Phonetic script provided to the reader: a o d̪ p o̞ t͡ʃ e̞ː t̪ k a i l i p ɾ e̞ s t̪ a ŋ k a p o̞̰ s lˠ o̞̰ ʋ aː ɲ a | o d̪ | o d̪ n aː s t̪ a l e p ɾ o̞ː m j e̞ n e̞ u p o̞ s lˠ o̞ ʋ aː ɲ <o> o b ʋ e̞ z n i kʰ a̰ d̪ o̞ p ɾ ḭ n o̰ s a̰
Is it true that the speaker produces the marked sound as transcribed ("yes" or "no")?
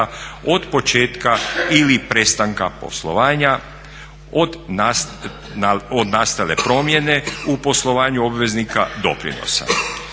no